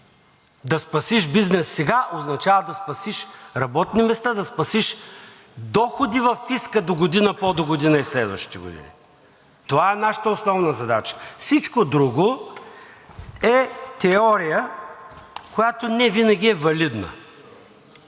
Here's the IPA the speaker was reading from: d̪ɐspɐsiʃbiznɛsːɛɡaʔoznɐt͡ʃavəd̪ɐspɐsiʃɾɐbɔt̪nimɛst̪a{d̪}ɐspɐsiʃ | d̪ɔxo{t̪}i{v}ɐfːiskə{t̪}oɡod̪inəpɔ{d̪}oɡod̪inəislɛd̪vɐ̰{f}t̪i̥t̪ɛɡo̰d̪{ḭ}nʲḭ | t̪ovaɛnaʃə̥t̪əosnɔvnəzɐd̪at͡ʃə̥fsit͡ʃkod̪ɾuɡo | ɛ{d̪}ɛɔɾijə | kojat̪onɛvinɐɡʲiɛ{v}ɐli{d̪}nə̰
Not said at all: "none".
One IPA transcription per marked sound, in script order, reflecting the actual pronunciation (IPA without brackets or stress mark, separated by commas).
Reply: d̪, d̪, v, d̪, d̪, ʃ, ḭ, t̪, v, d̪